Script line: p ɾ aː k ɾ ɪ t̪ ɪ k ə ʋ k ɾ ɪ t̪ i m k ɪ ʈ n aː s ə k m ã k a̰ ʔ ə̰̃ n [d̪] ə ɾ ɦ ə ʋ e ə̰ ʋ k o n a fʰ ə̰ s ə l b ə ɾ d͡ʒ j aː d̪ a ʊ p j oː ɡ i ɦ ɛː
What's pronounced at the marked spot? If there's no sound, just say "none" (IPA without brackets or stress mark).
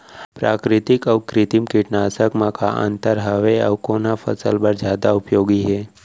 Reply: t̪